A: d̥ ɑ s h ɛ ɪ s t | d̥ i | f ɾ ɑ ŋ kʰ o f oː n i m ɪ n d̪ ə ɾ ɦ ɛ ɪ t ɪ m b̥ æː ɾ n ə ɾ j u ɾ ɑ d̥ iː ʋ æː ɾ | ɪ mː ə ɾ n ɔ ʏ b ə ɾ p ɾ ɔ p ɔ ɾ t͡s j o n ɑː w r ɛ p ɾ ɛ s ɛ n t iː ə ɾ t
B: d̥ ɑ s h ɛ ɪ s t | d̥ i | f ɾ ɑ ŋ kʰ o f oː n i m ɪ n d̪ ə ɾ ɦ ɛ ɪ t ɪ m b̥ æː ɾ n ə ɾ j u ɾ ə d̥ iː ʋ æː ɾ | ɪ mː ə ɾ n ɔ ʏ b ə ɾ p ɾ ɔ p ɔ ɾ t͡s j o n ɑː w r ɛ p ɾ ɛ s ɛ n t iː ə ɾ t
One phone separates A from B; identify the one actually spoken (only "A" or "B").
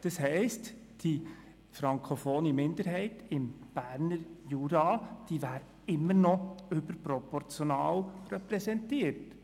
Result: A